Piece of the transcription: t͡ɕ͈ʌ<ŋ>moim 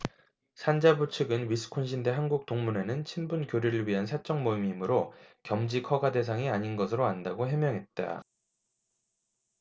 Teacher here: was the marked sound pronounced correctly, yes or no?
yes